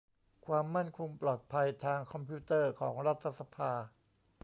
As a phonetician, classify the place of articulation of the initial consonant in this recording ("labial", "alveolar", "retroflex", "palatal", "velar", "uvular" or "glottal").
velar